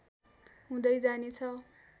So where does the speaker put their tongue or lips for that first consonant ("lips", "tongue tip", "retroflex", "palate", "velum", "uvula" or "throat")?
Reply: throat